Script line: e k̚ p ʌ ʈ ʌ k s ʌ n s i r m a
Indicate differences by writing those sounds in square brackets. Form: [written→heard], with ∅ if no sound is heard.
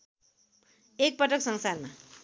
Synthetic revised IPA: e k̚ p ʌ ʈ ʌ k s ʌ [n→ŋ] s [i→a] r m a